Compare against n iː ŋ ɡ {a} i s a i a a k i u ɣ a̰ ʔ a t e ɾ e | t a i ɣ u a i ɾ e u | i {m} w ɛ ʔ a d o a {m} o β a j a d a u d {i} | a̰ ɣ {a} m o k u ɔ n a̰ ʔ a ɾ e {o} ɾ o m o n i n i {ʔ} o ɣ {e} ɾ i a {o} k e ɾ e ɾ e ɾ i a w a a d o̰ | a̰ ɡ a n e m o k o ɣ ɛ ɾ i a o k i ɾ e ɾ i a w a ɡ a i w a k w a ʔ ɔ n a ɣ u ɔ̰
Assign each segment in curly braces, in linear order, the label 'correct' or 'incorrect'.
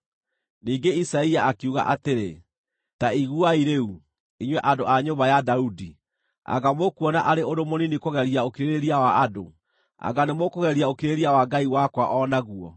incorrect: e, incorrect: ɲ, incorrect: ɲ, correct, correct, correct, incorrect: k, incorrect: ɛ, correct

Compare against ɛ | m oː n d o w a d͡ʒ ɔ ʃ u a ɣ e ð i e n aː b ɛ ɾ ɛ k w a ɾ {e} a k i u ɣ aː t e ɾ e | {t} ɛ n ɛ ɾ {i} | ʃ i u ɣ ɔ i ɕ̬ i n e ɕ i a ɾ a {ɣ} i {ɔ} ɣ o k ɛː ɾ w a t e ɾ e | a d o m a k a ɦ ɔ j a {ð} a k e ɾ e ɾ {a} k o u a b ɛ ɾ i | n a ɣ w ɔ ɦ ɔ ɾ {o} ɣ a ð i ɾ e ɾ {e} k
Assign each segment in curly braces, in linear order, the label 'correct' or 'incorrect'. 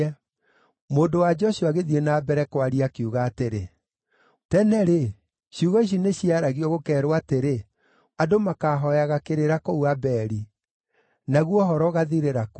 incorrect: i, correct, incorrect: e, correct, correct, incorrect: ɣ, correct, incorrect: ɔ, incorrect: a

